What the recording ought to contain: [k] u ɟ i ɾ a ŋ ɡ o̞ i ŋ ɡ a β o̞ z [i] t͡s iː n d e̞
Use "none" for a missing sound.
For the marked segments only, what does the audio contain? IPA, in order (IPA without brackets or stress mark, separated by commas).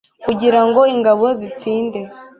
k, i